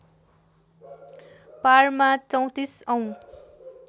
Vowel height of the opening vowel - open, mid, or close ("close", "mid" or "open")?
open